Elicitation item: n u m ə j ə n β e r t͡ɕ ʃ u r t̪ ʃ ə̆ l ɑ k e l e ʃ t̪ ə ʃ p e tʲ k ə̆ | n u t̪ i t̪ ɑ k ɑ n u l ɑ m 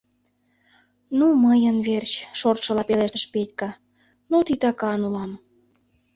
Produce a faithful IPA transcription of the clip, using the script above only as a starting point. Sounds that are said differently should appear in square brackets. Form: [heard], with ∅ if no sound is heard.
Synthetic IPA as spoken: n u m ə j ə n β e r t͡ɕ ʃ [o] r t̪ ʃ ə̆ l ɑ [p] e l e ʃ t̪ ə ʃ p e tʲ k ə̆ | n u t̪ i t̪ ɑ k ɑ n u l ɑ m